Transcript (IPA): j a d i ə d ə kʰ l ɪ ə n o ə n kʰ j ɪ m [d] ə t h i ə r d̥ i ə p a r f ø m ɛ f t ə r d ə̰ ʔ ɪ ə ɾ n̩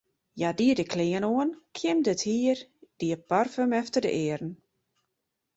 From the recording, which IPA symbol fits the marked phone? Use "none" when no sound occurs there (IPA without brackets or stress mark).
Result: d